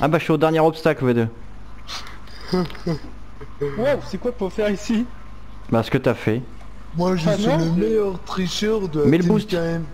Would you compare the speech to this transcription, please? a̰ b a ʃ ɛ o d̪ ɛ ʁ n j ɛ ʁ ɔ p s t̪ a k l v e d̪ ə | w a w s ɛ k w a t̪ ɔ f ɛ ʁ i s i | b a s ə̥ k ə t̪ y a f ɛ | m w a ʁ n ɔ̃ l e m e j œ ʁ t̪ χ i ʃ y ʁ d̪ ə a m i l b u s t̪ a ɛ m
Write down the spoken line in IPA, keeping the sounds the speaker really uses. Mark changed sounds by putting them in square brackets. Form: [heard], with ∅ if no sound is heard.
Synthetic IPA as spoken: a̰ b a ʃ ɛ o d̪ ɛ ʁ n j ɛ ʁ ɔ p s t̪ a k l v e d̪ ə | w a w s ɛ k w a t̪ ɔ f ɛ ʁ i s i | b a s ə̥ k ə t̪ y a f ɛ | m w a [ʒ] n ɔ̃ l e m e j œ ʁ t̪ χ i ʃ [œ] ʁ d̪ ə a m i l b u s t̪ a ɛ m